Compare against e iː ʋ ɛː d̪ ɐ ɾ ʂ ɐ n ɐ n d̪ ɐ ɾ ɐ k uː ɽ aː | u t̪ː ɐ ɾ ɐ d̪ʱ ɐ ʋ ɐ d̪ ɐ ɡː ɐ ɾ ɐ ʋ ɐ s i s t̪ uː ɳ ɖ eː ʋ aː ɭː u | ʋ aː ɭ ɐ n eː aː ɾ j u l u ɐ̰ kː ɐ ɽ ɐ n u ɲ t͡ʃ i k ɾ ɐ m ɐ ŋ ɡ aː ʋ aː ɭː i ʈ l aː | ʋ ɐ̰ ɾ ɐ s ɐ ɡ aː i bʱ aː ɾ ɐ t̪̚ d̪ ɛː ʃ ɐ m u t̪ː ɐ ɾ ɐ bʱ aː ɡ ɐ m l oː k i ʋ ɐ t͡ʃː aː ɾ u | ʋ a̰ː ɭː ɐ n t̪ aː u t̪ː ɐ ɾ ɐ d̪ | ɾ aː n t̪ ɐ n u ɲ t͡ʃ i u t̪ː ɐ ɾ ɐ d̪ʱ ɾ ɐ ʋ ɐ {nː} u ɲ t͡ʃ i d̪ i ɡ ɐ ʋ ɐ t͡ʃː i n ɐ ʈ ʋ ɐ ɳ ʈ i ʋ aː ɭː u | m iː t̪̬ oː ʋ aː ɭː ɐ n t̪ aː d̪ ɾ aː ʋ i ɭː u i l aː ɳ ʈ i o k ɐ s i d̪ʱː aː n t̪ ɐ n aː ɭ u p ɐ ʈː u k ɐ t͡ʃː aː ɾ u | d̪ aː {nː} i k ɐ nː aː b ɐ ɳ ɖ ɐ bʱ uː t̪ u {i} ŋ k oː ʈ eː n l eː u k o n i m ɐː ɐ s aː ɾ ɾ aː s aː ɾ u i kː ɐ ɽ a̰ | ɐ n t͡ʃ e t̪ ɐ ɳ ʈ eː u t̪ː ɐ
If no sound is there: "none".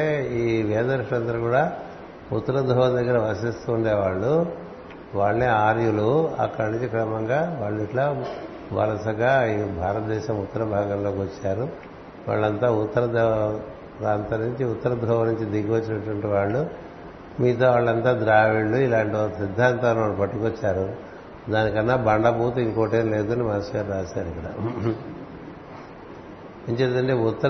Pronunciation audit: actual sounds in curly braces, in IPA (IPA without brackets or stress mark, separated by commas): n, n, i